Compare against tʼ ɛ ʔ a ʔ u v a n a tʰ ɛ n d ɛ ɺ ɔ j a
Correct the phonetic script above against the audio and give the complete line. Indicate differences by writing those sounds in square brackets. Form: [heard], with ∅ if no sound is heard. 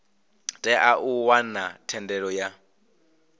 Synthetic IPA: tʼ ɛ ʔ a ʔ u [w] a n a tʰ ɛ n d ɛ ɺ ɔ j a